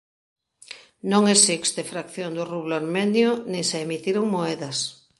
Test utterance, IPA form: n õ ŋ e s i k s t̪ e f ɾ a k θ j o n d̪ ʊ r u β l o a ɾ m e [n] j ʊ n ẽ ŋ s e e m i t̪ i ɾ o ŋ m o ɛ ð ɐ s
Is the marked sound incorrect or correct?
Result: correct